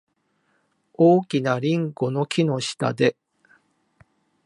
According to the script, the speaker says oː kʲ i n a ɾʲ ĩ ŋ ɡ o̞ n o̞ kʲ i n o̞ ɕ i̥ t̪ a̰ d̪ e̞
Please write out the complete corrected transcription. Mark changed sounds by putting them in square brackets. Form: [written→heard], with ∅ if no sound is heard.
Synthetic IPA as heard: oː kʲ i n a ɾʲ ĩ ŋ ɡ o̞ n o̞ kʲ i n o̞ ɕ i̥ t̪ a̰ d̪ e̞